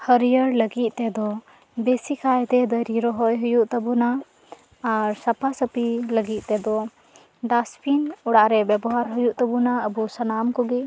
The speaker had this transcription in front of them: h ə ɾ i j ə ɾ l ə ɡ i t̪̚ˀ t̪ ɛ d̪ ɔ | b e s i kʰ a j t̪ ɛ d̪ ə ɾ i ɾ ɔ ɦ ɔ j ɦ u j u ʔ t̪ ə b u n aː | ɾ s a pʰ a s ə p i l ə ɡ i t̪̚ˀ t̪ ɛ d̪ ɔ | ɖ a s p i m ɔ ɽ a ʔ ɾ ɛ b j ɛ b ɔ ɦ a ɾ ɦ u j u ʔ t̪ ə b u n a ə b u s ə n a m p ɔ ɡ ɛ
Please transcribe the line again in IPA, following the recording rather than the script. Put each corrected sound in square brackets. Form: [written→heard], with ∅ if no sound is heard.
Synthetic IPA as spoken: h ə ɾ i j ə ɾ l ə ɡ i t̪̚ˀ t̪ ɛ d̪ ɔ | b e s i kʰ a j t̪ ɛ d̪ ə ɾ i ɾ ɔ ɦ ɔ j ɦ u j u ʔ t̪ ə b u n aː | ɾ s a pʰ a s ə p i l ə ɡ i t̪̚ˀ t̪ ɛ d̪ ɔ | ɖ a s p i [m→n] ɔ ɽ a ʔ ɾ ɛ b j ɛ b ɔ ɦ a ɾ ɦ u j u ʔ t̪ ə b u n a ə b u s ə n a m [p→k] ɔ ɡ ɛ